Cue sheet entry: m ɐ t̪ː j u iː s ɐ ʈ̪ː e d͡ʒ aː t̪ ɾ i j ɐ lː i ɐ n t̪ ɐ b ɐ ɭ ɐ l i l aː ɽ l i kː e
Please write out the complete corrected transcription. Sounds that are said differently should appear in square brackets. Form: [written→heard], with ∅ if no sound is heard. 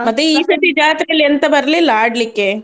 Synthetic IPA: m ɐ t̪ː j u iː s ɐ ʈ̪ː [e→i] d͡ʒ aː t̪ ɾ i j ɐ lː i ɐ n t̪ ɐ b ɐ [ɭ→ɾ] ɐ l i l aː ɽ l i kː e